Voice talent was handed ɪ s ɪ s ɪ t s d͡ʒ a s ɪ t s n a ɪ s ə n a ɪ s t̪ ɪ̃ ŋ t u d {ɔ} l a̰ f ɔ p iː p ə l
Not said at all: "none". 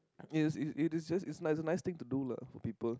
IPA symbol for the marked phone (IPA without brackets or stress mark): u